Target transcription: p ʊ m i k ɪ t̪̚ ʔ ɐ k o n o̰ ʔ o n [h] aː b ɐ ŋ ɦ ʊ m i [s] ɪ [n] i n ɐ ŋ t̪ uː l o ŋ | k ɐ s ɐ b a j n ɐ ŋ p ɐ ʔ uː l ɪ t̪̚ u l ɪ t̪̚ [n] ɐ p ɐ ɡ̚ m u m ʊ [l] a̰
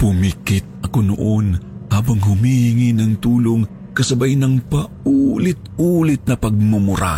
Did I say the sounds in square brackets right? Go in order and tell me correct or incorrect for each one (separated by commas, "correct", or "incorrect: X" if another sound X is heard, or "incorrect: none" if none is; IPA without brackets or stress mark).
correct, incorrect: h, incorrect: ŋ, correct, incorrect: ɾ